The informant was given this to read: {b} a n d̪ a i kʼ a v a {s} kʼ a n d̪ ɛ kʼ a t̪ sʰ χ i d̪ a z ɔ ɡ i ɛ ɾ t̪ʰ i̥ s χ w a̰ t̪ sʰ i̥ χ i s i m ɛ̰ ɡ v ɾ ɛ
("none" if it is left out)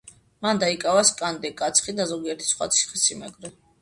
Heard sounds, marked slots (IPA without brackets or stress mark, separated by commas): m, s